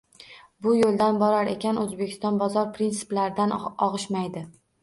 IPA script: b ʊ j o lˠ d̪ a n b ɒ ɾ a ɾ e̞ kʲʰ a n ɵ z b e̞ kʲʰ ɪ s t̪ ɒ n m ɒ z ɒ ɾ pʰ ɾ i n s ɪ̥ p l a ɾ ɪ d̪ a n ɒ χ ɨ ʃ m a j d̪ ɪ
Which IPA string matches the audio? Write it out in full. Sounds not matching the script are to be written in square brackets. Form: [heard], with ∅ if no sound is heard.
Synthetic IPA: b ʊ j o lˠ d̪ a n b ɒ ɾ a ɾ e̞ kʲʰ a n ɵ z b e̞ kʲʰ ɪ s t̪ ɒ n [b] ɒ z ɒ ɾ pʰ ɾ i n s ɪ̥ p l a ɾ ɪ d̪ a n ɒ [ʁ] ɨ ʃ m a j d̪ ɪ